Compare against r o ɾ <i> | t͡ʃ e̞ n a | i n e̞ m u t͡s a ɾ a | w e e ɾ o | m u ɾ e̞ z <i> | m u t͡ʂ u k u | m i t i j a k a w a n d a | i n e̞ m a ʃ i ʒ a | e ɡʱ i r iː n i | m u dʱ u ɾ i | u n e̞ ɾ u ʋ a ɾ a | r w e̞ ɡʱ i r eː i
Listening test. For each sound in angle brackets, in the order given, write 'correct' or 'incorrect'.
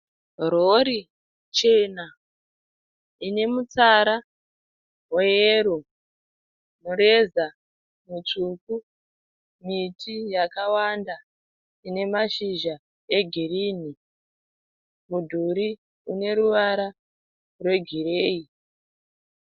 correct, incorrect

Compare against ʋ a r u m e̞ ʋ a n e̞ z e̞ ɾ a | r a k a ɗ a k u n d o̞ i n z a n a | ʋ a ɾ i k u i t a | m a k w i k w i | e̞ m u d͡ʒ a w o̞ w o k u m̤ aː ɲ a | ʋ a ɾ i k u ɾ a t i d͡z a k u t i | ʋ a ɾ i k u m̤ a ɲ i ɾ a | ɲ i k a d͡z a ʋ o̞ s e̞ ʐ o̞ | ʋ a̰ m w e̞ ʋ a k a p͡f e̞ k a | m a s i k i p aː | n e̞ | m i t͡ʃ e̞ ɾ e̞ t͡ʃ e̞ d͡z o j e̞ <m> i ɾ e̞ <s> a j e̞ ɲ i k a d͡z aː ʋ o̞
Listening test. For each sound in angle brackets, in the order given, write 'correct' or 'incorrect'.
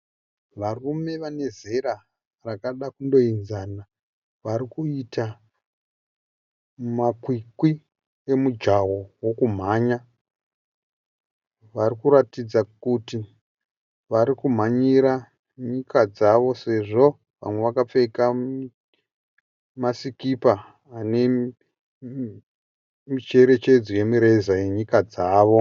correct, incorrect

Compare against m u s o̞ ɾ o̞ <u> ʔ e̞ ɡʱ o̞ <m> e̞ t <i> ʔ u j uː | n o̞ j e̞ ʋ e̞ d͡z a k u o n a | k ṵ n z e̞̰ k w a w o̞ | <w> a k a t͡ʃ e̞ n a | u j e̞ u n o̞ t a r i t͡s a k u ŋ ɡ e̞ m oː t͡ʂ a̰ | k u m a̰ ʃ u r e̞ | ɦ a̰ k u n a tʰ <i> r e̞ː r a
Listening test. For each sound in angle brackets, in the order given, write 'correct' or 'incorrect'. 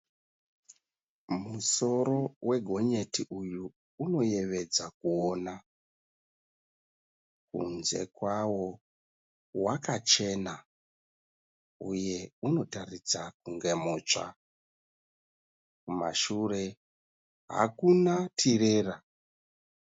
incorrect, incorrect, correct, correct, correct

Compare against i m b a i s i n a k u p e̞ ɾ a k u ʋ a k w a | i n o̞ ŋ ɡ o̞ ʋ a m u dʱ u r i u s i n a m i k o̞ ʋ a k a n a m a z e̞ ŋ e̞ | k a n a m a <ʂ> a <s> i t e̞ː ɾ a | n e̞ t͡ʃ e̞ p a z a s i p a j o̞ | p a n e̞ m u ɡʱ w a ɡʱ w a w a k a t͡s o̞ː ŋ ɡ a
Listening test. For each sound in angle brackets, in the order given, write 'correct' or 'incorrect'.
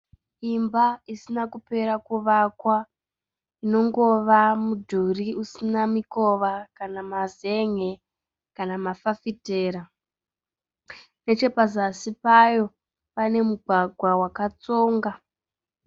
incorrect, incorrect

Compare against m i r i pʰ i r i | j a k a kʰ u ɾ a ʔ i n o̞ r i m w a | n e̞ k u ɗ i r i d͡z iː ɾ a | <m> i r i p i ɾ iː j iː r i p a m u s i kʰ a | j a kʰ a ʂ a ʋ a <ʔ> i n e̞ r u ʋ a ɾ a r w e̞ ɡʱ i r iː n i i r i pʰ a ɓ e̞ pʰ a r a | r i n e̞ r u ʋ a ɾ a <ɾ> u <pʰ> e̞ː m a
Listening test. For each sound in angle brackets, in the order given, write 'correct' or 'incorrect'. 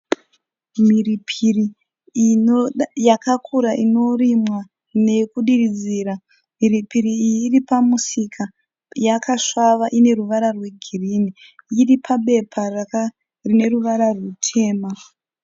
correct, correct, incorrect, incorrect

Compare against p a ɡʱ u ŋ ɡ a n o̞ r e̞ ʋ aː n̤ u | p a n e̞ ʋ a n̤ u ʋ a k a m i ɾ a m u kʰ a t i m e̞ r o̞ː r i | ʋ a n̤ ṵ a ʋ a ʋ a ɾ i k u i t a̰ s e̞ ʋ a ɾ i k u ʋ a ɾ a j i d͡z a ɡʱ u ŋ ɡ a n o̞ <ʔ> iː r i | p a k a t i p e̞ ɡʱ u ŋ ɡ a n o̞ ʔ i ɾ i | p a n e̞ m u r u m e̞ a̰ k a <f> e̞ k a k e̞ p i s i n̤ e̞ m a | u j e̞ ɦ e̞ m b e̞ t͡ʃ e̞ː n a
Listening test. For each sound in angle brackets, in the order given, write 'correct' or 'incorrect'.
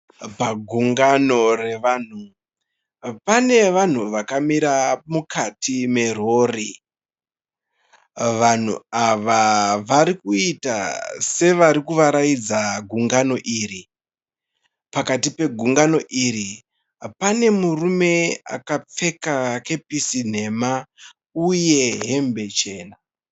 correct, incorrect

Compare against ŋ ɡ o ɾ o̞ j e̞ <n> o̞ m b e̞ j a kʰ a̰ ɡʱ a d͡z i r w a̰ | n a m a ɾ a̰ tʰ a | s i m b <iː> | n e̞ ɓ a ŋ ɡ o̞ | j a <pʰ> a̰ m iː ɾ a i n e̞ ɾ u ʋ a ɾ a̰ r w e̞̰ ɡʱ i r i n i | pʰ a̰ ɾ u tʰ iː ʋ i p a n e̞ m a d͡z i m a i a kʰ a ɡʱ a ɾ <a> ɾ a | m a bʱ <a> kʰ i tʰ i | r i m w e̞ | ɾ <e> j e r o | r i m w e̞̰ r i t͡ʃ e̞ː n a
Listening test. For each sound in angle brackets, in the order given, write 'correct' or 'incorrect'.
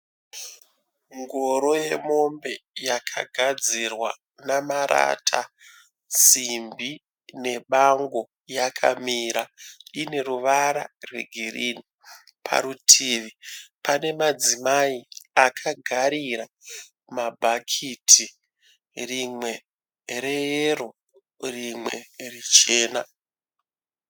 incorrect, incorrect, incorrect, incorrect, correct, correct

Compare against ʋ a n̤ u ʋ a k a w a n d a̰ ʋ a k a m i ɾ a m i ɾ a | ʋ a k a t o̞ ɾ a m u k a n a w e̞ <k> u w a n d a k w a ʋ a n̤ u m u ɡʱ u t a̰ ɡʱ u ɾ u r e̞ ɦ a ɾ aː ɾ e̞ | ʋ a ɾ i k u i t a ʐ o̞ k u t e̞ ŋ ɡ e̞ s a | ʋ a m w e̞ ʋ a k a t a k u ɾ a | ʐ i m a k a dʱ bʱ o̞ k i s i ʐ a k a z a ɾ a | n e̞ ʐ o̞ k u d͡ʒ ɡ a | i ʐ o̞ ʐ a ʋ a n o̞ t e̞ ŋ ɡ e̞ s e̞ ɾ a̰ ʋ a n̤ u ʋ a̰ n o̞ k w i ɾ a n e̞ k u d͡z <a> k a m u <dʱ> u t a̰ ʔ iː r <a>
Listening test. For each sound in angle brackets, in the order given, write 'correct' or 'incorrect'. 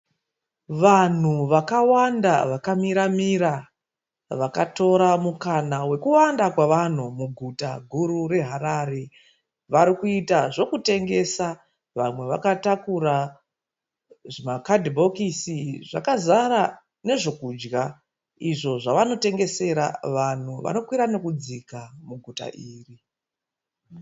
correct, incorrect, incorrect, incorrect

